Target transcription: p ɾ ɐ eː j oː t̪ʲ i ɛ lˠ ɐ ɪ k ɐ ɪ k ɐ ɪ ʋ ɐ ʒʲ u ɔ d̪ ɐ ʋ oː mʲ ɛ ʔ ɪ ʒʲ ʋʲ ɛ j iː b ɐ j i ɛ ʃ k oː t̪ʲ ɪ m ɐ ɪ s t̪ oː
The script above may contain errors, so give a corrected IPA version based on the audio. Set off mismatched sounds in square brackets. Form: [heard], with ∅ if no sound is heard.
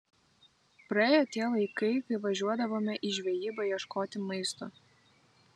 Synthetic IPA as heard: p ɾ ɐ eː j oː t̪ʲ i ɛ lˠ ɐ ɪ k ɐ ɪ k ɐ ɪ ʋ ɐ ʒʲ u ɔ d̪ ɐ ʋ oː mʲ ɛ ʔ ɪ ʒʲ ʋʲ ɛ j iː b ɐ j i ɛ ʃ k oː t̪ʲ ɪ m ɐ ɪ s t̪ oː